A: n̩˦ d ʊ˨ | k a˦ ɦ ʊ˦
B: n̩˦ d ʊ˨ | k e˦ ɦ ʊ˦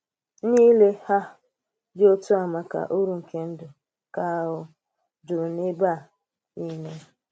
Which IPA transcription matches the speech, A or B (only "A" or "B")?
A